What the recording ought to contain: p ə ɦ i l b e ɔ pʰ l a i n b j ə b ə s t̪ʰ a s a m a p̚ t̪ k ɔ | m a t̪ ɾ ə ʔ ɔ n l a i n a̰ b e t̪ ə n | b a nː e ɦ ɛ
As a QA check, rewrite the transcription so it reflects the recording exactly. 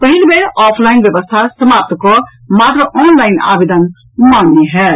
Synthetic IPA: p ə ɦ i l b e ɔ pʰ l a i n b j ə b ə s t̪ʰ a s ə m a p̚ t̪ k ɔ | m a t̪ ɾ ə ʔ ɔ n l a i n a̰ b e d̪ ə n | m a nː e ɦ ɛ

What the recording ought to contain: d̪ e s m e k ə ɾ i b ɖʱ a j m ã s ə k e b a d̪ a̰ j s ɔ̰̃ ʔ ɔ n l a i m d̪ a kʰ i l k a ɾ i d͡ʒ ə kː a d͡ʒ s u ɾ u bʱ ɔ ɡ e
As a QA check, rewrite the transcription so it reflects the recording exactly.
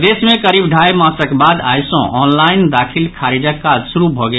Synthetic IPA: d̪ e s m e k ə ɾ i b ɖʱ a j m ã s ə k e b a d̪ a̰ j s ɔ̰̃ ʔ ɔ n l a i n d̪ a kʰ i l kʰ a ɾ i d͡ʒ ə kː a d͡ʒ s u ɾ u bʱ ɔ ɡ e

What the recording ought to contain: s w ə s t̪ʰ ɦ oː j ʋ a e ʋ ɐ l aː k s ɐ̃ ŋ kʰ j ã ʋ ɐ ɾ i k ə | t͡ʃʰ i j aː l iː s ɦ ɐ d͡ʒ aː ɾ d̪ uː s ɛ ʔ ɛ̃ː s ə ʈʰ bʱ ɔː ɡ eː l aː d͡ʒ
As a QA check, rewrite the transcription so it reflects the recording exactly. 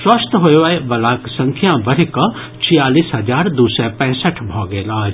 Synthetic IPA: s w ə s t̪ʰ ɦ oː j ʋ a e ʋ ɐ l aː k s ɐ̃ ŋ kʰ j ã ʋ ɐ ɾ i k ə | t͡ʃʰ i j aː l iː s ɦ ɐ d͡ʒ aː ɾ d̪ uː s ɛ p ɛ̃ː s ə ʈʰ bʱ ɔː ɡ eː l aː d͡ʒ

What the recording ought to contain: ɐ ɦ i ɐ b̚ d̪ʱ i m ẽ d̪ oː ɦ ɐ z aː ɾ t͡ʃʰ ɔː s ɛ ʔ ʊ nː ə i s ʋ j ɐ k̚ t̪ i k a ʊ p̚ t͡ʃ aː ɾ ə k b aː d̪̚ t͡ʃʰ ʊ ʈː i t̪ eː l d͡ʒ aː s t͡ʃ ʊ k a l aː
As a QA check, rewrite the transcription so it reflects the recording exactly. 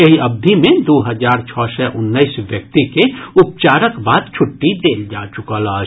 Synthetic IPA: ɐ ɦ i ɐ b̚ d̪ʱ i m ẽ d̪ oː ɦ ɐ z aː ɾ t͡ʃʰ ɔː s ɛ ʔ ʊ nː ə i s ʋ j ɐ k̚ t̪ i k e ʊ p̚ t͡ʃ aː ɾ ə k b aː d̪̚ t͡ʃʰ ʊ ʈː i d̪ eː l d͡ʒ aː t͡ʃ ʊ k a l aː

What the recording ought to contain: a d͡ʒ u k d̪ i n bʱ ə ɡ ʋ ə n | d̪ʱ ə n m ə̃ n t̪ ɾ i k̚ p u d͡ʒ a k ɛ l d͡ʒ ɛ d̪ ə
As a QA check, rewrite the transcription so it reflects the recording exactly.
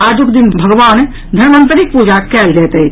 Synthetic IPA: a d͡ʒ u k d̪ i n bʱ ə ɡ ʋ a n | d̪ʱ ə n m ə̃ n t̪ ɾ i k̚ p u d͡ʒ a k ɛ l d͡ʒ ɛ t̪ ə

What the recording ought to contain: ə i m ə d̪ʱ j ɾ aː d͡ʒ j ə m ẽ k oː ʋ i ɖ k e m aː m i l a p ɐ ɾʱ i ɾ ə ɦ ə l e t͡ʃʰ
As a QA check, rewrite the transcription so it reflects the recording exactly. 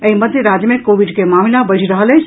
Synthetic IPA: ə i m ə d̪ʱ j ɾ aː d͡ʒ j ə m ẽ k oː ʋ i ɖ k e m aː m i l a b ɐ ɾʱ i ɾ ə ɦ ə l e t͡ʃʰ

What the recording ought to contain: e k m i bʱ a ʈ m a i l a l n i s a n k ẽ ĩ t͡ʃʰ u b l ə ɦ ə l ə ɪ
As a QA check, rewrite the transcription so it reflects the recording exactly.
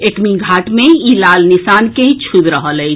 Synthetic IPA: e k m i ɡʱ a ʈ m e i l a l n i s a n k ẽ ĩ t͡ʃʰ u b ɾ ə ɦ ə l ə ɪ

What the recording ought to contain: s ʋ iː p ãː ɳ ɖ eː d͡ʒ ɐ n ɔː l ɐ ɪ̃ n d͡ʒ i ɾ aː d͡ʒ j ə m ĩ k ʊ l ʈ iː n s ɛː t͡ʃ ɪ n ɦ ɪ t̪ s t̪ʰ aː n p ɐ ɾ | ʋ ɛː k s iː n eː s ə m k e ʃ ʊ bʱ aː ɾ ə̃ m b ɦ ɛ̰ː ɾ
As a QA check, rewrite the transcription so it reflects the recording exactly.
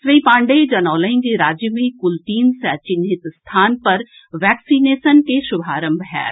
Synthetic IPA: s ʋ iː p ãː ɳ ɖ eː d͡ʒ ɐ n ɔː l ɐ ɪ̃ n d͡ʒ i ɾ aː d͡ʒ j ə m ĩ k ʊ l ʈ iː n s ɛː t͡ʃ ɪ n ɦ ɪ t̪ s t̪ʰ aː n p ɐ ɾ | ʋ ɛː k s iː n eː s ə n k e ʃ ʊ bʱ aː ɾ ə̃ m b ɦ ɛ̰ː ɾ

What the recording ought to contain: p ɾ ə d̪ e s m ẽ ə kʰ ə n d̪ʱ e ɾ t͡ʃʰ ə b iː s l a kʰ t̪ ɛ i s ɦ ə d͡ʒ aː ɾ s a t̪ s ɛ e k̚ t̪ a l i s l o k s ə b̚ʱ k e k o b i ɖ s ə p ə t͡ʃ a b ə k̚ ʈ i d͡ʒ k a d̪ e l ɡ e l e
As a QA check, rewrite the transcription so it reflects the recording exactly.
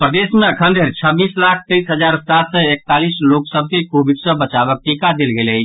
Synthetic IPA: p ɾ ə d̪ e s m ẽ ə kʰ ə n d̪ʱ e ɾ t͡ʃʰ ə b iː s l a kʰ t̪ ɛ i s ɦ ə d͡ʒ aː ɾ s a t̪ s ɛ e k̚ t̪ a l i s l o k s ə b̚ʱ k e k o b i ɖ s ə b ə t͡ʃ a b ə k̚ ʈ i k a d̪ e l ɡ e l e

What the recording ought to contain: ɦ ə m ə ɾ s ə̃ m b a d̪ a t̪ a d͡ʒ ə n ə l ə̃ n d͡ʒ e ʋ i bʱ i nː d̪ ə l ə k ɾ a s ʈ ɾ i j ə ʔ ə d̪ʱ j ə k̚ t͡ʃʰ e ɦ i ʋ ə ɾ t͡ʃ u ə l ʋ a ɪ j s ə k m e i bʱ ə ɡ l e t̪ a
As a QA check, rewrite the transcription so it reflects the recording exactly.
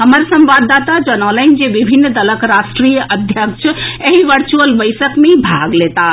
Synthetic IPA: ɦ ə m ə ɾ s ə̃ m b a d̪ a t̪ a d͡ʒ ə n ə l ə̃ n d͡ʒ e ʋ i bʱ i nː d̪ ə l ə k ɾ a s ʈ ɾ i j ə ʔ ə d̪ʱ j ə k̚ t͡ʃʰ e ɦ i ʋ ə ɾ t͡ʃ u ə l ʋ ə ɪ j s ə k m e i bʱ a ɡ l e t̪ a

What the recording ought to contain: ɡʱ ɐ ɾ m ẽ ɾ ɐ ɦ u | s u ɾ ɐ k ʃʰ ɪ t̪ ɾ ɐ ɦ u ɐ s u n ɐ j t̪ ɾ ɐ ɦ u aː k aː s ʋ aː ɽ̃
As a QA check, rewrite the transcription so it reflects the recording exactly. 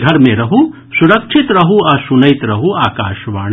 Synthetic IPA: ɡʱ ɐ ɾ m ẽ ɾ ɐ ɦ u | s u ɾ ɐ k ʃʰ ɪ t̪ ɾ ɐ ɦ u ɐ s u n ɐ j t̪ ɾ ɐ ɦ u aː k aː ʃ ʋ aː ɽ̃

